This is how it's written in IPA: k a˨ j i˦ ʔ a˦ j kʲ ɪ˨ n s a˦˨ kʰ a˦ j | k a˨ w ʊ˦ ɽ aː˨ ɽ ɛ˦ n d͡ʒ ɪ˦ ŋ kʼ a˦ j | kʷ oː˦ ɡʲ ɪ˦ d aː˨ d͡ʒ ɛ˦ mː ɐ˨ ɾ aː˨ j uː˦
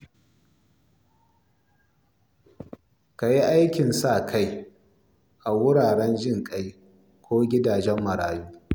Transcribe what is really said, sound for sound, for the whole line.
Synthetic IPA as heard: k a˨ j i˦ ʔ a˦ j kʲ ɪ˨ n s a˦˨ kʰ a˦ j | ʔ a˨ w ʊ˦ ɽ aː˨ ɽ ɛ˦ n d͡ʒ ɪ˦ ŋ kʼ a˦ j | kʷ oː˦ ɡʲ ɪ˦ d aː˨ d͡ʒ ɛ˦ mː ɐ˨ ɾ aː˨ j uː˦